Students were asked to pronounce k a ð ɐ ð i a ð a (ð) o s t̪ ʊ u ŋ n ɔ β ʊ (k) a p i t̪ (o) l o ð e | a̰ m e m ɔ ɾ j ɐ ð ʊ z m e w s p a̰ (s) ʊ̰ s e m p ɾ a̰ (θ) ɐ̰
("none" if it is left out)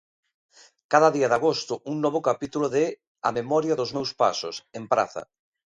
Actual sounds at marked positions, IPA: ɣ, k, u, s, θ

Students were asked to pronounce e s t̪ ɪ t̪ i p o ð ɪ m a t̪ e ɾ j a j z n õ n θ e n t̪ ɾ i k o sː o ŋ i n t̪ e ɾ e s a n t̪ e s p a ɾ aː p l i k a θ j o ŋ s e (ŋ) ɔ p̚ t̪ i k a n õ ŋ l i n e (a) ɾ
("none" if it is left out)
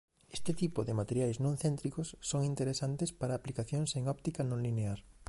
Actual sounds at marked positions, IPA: ŋ, a

